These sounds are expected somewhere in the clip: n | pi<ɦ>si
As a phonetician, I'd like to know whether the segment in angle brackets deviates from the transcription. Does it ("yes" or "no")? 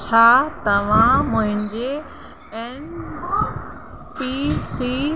yes